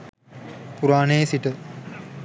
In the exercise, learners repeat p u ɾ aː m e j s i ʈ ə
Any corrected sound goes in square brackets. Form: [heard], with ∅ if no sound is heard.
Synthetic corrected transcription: p u ɾ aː [n] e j s i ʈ ə

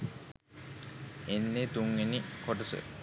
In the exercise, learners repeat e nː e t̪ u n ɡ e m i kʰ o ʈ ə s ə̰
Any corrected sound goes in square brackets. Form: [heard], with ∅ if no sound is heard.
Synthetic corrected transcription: e nː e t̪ u [ŋ] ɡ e [n] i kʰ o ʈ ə s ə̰

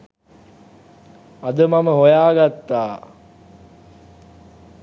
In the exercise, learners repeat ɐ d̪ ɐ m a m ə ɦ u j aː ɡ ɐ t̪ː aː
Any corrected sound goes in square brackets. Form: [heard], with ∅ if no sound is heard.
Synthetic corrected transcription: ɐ d̪ [ə] m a m ə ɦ [o] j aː ɡ [a] t̪ː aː

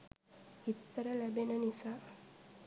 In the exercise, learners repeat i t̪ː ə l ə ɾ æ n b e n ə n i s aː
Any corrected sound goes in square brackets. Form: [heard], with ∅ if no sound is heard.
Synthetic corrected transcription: i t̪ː ə [ɾ] ə [l] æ [∅] b e n ə n i s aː

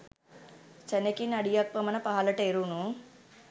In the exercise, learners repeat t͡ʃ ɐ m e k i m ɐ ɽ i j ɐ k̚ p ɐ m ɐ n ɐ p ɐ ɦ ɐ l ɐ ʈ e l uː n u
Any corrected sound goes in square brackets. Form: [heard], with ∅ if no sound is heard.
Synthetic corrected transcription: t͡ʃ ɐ [n] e k i [n] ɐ ɽ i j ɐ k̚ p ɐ m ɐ n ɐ p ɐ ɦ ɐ l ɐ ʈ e [ɾ] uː n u

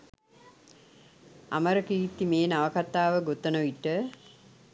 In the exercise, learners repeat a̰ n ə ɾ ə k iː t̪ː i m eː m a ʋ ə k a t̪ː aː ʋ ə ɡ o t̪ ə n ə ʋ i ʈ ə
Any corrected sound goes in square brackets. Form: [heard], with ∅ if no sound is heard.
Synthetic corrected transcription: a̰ [m] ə ɾ ə k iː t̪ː i m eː [n] a ʋ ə k a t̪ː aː ʋ ə ɡ o t̪ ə n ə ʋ i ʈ ə

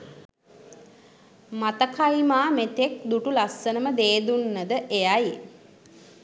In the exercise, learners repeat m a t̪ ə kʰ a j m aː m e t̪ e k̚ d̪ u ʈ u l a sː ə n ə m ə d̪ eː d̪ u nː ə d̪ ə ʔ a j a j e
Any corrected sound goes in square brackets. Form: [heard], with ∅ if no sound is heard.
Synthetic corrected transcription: m a t̪ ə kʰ a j m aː m e t̪ e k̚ d̪ u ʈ u l a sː ə n ə m ə d̪ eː d̪ u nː ə d̪ ə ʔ [e] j a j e

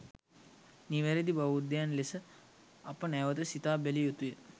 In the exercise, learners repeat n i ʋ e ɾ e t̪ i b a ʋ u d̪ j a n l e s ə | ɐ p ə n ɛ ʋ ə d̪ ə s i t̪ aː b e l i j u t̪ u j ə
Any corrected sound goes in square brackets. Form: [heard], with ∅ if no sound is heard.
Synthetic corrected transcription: n i ʋ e ɾ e [d̪] i b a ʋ u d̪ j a n l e s ə | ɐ p ə n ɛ ʋ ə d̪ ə s i t̪ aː b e l i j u t̪ u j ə

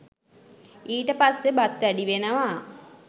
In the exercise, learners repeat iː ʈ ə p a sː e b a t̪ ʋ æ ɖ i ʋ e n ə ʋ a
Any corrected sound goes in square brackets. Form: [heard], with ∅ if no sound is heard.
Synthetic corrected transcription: iː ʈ ə p a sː e b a t̪ ʋ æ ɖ i ʋ e n ə ʋ a

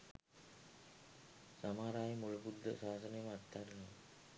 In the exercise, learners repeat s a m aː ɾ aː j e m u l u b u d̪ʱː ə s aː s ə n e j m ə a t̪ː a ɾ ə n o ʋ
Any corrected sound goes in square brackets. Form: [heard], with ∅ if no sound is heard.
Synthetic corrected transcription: s a m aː ɾ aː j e m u l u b u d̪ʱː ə s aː s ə n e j m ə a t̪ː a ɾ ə n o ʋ

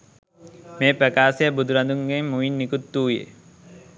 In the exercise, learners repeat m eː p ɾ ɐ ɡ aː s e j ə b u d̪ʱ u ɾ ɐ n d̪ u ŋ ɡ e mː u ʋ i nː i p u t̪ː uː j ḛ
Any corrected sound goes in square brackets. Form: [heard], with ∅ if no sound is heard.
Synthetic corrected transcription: m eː p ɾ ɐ [k] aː s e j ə b u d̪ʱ u ɾ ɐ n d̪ u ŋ ɡ e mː u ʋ i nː i [k] u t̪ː uː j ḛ

